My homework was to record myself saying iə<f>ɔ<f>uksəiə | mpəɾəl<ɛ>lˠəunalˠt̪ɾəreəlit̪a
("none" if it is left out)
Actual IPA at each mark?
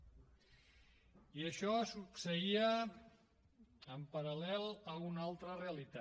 ʃ, s, ɛ

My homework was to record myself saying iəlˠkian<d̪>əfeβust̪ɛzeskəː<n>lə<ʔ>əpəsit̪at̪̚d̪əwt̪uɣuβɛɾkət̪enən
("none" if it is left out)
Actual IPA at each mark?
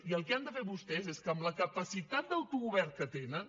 d̪, m, k

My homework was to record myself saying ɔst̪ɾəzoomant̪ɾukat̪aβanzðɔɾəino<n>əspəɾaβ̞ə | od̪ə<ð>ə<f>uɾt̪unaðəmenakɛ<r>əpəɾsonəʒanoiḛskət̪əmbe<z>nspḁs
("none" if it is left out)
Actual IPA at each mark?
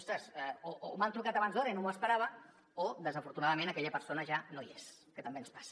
m, z, f, ʎ, none

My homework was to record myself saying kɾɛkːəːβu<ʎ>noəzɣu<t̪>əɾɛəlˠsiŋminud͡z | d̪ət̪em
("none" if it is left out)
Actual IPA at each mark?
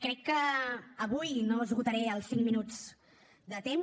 j, t̪

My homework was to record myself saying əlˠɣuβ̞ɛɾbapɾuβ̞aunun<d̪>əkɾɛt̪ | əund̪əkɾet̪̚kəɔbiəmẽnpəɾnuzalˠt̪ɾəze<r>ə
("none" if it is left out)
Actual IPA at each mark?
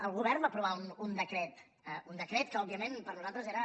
d̪, ɾ

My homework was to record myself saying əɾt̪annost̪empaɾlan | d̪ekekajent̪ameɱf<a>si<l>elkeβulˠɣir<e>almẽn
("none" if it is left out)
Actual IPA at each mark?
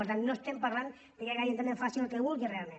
a, l, e

